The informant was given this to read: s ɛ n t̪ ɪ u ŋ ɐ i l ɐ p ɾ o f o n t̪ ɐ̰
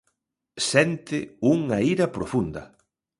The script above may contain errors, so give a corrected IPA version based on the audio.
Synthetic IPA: s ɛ n t̪ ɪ u ŋ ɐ i ɾ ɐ p ɾ o f u n d̪ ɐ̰